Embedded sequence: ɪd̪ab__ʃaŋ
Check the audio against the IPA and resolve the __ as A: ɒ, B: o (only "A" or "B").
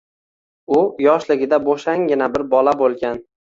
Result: B